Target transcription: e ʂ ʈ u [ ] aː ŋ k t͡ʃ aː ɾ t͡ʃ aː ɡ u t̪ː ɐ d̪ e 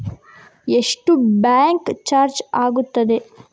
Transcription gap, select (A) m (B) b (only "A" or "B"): B